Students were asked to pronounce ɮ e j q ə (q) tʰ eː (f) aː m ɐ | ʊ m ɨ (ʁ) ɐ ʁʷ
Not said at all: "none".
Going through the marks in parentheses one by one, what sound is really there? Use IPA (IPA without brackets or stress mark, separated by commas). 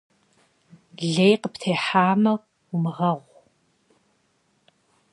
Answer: p, ħ, ʁ